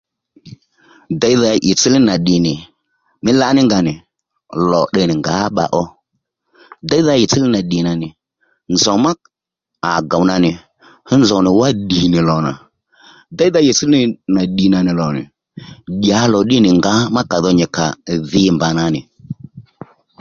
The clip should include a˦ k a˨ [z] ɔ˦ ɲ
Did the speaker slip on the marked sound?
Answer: yes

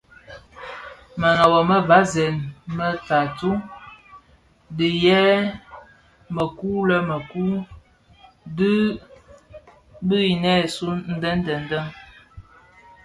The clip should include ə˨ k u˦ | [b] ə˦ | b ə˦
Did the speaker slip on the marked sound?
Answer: yes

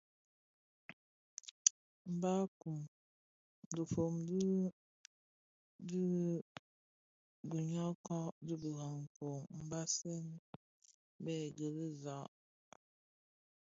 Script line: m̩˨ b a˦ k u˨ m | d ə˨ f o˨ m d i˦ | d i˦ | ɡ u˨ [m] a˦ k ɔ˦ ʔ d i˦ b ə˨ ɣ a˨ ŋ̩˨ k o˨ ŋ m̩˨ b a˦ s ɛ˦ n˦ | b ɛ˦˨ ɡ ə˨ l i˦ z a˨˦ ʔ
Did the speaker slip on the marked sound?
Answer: yes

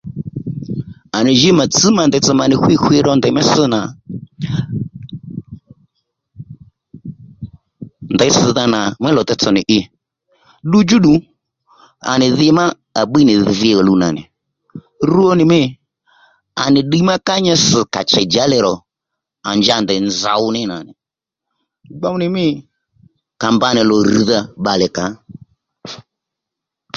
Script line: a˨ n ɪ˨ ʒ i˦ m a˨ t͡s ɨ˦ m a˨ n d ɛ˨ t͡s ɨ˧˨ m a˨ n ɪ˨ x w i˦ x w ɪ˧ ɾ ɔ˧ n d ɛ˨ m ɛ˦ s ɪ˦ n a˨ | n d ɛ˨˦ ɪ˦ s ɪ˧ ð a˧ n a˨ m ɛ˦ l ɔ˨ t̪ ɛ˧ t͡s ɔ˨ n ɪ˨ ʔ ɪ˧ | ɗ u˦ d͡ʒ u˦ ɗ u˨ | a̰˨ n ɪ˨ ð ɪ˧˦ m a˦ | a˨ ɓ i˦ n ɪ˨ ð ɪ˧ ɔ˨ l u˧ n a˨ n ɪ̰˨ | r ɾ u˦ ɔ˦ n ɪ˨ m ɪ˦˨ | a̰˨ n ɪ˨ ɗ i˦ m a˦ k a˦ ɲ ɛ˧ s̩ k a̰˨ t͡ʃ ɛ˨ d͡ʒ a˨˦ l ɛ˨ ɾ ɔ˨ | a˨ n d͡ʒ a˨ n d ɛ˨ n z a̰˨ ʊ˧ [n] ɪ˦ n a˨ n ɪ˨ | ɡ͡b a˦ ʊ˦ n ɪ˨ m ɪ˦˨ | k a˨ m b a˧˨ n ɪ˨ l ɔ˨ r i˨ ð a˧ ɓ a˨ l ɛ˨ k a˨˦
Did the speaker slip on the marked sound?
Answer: no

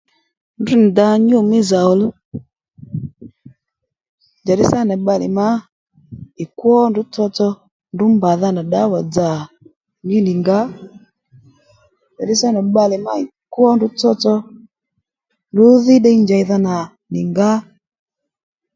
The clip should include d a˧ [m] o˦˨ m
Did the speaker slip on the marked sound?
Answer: yes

